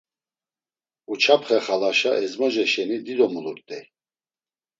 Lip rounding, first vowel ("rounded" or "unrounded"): rounded